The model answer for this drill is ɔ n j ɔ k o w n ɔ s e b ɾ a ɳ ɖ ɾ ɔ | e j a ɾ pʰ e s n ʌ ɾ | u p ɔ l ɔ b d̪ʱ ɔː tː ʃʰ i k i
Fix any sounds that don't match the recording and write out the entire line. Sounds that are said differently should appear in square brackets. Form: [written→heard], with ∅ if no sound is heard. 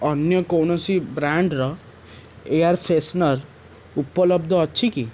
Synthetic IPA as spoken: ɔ n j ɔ k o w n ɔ s [e→i] b ɾ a ɳ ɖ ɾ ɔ | e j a ɾ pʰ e s n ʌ ɾ | u p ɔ l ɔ b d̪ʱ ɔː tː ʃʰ i k i